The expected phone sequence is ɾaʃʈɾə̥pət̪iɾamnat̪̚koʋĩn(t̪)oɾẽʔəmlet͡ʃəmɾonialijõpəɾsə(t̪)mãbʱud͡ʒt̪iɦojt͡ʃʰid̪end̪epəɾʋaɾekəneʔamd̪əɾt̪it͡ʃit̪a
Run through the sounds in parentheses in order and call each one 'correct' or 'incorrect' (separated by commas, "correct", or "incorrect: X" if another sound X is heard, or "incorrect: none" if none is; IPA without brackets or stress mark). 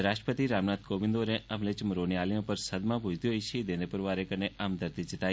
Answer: incorrect: d̪, incorrect: d̪